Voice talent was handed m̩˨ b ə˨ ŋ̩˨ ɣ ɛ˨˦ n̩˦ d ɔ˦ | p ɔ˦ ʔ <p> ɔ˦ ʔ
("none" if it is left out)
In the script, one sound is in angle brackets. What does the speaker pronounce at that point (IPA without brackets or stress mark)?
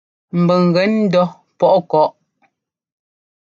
k